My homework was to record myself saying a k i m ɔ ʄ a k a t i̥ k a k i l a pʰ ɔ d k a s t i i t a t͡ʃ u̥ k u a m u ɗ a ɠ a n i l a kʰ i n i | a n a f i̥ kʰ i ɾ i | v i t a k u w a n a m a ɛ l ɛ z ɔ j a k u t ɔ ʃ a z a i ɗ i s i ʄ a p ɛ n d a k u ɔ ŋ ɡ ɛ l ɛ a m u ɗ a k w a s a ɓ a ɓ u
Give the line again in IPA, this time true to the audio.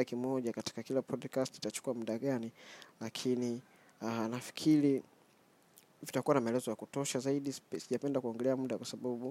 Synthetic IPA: a k i m ɔ ʄ a k a t i̥ k a k i l a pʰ ɔ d k a s t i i t a t͡ʃ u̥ k u a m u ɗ a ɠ a n i l a kʰ i n i | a n a f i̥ kʰ i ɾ i | v i t a k u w a n a m a ɛ l ɛ z ɔ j a k u t ɔ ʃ a z a i ɗ i s i ʄ a p ɛ n d a k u ɔ ŋ ɡ ɛ l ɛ a m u ɗ a k w a s a ɓ a ɓ u